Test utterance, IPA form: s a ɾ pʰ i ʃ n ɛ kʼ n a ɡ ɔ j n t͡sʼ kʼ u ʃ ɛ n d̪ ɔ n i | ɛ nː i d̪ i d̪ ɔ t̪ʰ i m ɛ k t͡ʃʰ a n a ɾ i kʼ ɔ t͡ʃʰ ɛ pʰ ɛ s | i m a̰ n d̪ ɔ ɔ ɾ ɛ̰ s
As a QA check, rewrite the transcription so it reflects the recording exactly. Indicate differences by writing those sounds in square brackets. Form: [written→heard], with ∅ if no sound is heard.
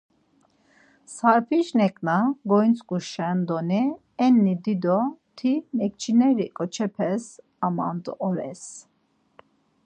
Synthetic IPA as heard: s a ɾ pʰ i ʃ n ɛ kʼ n a ɡ ɔ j n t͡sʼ kʼ u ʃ ɛ n d̪ ɔ n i | ɛ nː i d̪ i d̪ ɔ t̪ʰ i m ɛ k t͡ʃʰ [a→i] n [a→ɛ] ɾ i kʼ ɔ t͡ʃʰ ɛ pʰ ɛ s | [i→a] m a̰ n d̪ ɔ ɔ ɾ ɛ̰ s

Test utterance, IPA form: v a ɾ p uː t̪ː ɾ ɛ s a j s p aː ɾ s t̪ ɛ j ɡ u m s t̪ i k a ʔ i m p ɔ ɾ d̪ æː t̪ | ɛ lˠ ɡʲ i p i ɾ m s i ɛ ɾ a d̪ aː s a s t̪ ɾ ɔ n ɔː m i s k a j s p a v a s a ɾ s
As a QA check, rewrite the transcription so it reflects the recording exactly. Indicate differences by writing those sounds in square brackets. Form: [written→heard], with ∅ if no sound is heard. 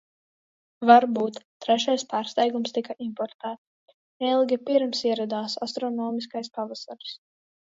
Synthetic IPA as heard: v a ɾ [p→b] uː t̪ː ɾ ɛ [s→ʃ] a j s p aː ɾ s t̪ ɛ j ɡ u m s t̪ i k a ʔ i m p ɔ ɾ [d̪→t̪] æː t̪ | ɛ lˠ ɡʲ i p i ɾ m s i ɛ ɾ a d̪ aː s a s t̪ ɾ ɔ n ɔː m i s k a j s p a v a s a ɾ s

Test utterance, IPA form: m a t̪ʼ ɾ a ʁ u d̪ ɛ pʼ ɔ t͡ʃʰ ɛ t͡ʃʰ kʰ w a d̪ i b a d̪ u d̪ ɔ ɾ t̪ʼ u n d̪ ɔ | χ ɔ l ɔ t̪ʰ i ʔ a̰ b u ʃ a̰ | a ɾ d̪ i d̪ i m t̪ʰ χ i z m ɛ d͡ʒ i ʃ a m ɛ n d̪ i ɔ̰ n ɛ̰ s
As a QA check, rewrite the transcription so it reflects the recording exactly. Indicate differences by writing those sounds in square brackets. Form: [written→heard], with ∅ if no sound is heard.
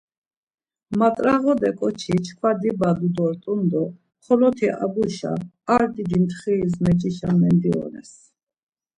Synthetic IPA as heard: m a t̪ʼ ɾ a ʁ [u→ɔ] d̪ ɛ [pʼ→kʼ] ɔ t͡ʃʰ [ɛ→i] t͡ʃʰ kʰ w a d̪ i b a d̪ u d̪ ɔ ɾ t̪ʼ u n d̪ ɔ | χ ɔ l ɔ t̪ʰ i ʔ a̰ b u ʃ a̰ | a ɾ d̪ i d̪ i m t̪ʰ χ i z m ɛ d͡ʒ i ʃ a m ɛ n d̪ i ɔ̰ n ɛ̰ s

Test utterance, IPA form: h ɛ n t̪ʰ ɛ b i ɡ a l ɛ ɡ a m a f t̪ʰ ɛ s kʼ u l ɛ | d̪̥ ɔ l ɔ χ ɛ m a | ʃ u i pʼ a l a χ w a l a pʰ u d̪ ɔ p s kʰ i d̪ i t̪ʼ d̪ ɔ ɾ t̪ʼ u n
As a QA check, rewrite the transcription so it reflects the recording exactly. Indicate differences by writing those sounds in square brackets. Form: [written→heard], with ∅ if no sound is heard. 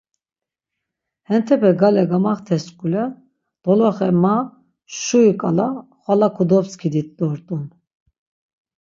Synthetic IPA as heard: h ɛ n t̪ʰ ɛ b [i→ɛ] ɡ a l ɛ ɡ a m a [f→χ] t̪ʰ ɛ s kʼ u l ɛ | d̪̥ ɔ l ɔ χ ɛ m a | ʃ u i [pʼ→kʼ] a l a χ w a l a [pʰ→kʰ] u d̪ ɔ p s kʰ i d̪ i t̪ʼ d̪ ɔ ɾ t̪ʼ u n

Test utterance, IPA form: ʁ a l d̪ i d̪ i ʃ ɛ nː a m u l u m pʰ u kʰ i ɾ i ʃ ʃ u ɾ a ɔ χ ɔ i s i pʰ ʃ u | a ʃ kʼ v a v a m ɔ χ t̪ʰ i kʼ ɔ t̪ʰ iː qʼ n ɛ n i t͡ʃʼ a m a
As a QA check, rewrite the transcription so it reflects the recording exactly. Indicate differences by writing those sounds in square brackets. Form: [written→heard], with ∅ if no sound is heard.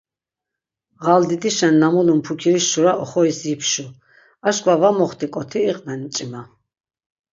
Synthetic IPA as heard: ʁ a l d̪ i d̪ i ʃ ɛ nː a m u l u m pʰ u kʰ i ɾ i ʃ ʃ u ɾ a ɔ χ ɔ i s i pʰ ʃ u | a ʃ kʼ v a v a m ɔ χ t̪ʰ i kʼ ɔ t̪ʰ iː qʼ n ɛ n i t͡ʃʼ [a→i] m a

